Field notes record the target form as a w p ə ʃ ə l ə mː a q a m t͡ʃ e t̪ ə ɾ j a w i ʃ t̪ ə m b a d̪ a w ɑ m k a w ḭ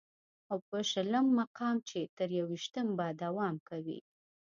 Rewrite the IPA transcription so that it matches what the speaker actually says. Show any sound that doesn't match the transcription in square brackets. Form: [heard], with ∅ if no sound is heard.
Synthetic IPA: a w p ə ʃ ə l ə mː a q [ɑ] m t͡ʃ e t̪ ə ɾ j a w i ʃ t̪ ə m b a d̪ a w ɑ m k a w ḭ